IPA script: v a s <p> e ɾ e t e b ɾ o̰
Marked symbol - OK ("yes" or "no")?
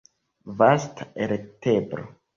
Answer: no